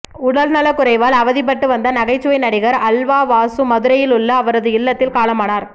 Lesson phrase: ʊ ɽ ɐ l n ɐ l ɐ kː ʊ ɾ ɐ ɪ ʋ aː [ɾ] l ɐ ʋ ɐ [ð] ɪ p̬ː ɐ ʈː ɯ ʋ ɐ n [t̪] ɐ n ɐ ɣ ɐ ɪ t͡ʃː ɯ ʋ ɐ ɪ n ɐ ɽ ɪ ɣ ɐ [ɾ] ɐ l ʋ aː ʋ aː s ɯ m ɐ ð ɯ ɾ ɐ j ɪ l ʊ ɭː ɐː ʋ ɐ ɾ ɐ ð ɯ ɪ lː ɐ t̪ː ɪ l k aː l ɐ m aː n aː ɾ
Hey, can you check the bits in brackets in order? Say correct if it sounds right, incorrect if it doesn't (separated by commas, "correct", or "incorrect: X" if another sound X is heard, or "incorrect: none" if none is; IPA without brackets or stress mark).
incorrect: none, correct, incorrect: d̪, correct